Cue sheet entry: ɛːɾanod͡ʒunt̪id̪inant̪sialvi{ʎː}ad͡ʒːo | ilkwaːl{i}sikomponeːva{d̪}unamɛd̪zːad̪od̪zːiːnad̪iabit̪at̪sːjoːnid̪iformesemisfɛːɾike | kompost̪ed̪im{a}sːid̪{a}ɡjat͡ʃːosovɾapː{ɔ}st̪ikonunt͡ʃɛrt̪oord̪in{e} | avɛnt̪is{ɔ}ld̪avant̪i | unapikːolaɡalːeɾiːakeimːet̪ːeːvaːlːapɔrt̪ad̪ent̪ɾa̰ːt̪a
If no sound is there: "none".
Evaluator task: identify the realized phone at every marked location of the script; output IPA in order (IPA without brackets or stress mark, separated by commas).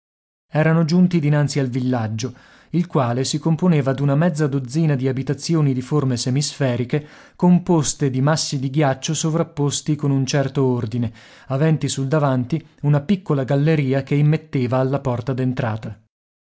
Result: lː, e, d̪, a, i, o, e, u